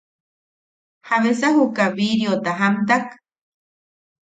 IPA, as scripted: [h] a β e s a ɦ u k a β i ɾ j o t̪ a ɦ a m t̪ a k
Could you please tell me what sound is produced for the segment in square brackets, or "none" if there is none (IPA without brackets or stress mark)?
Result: h